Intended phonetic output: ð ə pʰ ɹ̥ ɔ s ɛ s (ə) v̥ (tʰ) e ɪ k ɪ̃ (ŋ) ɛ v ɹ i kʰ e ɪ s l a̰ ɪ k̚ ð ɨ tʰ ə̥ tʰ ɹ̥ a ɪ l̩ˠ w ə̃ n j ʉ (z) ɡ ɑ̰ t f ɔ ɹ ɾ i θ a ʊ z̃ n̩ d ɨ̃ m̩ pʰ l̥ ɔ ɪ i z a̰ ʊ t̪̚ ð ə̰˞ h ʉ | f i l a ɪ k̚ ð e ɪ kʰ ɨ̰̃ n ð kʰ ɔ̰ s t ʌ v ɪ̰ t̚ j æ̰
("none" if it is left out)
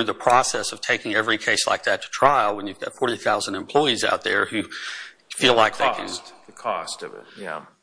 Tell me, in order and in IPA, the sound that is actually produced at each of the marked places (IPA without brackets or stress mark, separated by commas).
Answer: ʌ, tʰ, ŋ, v